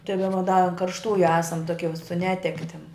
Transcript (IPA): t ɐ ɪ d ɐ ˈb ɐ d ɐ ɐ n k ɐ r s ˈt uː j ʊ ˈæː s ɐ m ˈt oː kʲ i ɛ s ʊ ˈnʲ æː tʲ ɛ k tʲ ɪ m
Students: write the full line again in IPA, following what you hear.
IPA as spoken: t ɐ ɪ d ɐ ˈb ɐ d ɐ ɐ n k ɐ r ʃ ˈt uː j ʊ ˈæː s ɐ m ˈt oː kʲ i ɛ s ʊ ˈnʲ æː tʲ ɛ k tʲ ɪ m